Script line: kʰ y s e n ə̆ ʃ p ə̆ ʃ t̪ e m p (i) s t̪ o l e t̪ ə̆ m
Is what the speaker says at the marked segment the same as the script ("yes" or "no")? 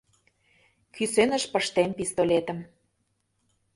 yes